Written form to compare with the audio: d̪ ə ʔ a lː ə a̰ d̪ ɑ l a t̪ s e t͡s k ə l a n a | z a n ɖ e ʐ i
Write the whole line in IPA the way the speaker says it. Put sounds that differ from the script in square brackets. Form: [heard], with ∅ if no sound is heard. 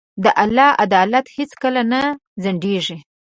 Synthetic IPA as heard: d̪ ə ʔ a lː [ɑ] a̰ d̪ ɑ l a t̪ [h] e t͡s k ə l a n a | z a [ɳ] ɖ e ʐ i